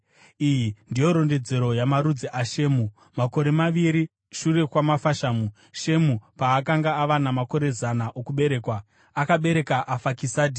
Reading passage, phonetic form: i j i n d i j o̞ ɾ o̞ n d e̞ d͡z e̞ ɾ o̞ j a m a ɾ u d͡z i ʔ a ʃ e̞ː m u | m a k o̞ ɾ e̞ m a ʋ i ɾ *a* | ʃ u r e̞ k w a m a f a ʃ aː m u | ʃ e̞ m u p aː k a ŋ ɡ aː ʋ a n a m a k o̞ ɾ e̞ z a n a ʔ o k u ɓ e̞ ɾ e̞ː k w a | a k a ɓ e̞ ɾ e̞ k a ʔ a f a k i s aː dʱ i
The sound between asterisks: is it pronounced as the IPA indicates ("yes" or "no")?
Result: no